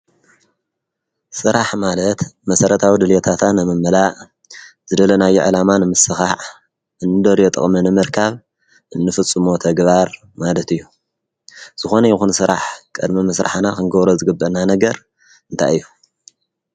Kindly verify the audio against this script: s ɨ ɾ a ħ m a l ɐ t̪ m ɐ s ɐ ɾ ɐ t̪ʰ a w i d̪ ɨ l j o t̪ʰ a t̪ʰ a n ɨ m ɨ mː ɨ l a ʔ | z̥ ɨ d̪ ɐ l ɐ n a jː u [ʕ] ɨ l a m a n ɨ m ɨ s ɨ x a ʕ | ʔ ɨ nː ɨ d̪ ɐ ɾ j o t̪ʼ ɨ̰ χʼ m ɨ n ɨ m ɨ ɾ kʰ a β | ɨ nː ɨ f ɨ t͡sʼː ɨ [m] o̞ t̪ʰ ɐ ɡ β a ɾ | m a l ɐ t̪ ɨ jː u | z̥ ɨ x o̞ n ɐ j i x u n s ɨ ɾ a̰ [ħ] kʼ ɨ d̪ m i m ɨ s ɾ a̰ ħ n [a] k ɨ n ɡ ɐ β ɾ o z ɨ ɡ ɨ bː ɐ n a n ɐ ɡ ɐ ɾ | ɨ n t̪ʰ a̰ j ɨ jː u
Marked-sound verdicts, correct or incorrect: correct, correct, correct, correct

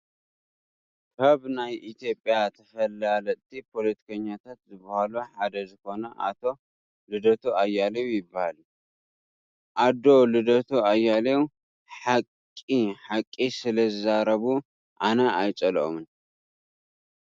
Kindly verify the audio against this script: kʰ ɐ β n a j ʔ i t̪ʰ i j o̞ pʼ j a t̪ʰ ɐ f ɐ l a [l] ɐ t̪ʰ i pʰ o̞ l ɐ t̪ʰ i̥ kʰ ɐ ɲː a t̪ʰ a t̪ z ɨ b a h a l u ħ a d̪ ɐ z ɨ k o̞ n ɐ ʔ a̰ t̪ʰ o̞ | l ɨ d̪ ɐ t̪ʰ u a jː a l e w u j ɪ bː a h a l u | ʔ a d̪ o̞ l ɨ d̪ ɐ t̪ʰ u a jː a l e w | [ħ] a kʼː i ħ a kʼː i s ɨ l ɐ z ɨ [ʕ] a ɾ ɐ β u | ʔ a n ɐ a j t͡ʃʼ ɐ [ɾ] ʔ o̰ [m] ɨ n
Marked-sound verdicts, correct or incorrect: correct, correct, incorrect, incorrect, correct

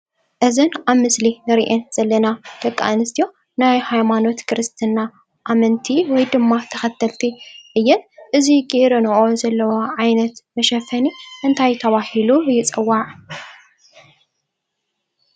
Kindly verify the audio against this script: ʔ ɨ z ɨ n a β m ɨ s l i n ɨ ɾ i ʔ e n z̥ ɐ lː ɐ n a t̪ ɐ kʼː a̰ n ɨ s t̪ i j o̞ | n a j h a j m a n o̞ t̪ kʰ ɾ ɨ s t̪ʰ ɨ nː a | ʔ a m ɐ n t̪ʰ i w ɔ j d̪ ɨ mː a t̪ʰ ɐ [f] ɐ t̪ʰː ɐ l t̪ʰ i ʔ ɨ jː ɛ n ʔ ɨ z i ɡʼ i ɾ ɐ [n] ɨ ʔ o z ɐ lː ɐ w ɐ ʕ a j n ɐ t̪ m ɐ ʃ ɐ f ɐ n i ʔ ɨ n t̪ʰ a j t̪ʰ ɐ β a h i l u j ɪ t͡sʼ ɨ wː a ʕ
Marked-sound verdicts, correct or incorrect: incorrect, correct

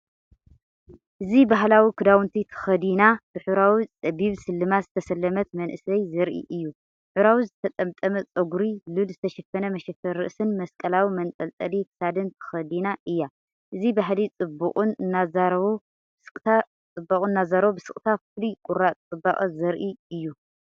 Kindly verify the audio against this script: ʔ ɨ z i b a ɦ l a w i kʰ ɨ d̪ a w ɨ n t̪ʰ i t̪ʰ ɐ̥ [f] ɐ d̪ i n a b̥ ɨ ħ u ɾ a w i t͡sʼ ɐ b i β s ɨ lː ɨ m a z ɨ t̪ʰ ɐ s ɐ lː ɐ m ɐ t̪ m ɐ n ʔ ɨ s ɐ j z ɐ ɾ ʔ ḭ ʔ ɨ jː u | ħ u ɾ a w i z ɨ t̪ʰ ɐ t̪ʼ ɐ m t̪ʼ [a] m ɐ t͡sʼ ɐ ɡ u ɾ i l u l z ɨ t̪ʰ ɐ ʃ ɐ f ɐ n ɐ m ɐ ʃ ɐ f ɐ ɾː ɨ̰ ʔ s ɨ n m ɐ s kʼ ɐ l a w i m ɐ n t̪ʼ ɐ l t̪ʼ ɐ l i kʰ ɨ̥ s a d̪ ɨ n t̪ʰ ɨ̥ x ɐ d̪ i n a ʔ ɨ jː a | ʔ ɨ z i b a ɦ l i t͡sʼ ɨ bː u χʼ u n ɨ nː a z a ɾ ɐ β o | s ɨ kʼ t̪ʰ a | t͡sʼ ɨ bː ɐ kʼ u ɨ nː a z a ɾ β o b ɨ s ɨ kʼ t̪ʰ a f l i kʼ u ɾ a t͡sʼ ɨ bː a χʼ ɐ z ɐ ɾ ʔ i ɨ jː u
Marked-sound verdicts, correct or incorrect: incorrect, incorrect

